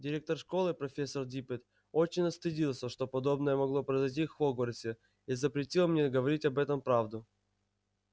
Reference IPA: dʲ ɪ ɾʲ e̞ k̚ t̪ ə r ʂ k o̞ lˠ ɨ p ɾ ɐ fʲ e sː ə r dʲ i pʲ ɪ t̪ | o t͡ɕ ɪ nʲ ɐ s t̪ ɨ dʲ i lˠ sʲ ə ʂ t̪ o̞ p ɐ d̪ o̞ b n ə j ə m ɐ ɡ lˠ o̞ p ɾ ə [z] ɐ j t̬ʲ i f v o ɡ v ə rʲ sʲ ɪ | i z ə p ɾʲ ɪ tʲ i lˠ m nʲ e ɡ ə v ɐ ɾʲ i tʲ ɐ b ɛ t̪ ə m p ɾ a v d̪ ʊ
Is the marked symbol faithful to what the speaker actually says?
yes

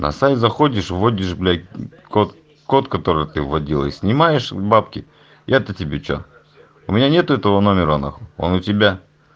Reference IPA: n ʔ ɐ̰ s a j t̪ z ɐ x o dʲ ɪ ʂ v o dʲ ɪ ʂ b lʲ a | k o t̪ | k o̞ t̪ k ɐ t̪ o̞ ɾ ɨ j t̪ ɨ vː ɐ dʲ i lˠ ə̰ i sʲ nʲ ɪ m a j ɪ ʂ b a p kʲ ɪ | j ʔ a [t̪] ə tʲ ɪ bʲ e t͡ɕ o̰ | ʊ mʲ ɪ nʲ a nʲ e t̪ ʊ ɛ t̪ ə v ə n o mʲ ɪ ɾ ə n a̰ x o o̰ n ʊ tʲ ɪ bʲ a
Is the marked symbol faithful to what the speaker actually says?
yes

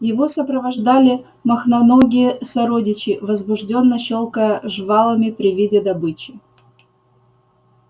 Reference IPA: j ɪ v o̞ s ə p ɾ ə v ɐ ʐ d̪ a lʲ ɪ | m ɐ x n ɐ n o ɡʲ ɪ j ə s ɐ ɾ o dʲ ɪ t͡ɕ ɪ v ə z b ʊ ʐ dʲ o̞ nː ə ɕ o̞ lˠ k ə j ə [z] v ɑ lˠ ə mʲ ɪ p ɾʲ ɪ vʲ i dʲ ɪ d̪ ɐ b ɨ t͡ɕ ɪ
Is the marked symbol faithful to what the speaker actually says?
no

